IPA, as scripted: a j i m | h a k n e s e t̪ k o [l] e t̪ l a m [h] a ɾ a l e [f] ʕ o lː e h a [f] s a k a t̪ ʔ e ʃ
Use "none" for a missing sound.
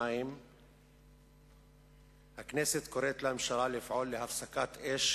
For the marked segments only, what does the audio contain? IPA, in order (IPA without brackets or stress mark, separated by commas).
ɾ, ʃ, f, f